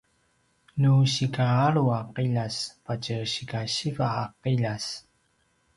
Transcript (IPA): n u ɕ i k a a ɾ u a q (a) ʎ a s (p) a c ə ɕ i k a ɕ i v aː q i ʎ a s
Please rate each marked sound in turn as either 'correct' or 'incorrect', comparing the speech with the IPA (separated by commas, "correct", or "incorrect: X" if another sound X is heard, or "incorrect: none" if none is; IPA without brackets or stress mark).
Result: incorrect: i, correct